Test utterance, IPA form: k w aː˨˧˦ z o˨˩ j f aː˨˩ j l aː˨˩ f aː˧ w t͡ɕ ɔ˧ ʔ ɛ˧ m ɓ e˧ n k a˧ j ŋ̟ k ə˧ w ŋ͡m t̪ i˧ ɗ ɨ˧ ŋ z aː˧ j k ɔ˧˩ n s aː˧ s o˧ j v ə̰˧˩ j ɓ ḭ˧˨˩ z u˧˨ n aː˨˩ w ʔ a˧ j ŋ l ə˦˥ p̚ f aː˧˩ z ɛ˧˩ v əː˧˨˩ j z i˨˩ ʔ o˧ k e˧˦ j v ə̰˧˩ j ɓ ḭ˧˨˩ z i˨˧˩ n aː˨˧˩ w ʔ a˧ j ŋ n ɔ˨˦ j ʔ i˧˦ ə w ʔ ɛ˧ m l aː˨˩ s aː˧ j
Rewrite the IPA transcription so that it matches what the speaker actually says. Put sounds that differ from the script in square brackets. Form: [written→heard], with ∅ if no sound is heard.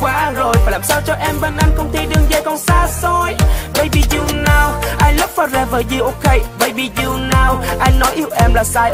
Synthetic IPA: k w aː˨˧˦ z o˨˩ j f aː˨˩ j l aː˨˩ [f→s] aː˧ w t͡ɕ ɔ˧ ʔ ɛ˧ m ɓ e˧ n [k→ʔ] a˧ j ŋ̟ k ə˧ w ŋ͡m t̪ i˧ ɗ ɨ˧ ŋ z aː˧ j k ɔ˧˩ n s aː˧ s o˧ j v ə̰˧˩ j ɓ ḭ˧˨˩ z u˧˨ n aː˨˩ w ʔ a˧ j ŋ l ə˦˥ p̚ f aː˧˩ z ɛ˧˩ v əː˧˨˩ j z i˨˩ ʔ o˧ k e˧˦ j v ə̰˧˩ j ɓ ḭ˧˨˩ z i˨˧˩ n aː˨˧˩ w ʔ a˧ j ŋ n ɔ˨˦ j ʔ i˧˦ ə w ʔ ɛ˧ m l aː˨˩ s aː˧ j